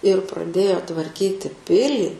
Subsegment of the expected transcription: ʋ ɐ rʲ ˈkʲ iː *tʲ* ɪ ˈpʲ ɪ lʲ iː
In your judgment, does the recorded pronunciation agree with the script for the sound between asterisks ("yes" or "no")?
yes